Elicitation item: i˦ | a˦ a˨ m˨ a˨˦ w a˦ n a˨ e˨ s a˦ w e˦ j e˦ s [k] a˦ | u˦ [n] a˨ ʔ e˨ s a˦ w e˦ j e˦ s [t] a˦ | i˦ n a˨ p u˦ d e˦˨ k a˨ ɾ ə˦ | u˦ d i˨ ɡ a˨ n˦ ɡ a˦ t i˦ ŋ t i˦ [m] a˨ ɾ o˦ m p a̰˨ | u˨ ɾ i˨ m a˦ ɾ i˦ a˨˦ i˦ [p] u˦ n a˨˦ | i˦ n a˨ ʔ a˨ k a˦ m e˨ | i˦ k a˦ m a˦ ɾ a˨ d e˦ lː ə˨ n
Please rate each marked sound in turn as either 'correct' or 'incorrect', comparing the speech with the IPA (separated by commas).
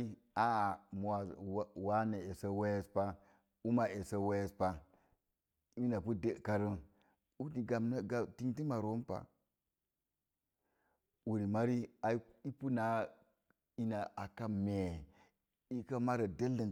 incorrect, incorrect, incorrect, correct, correct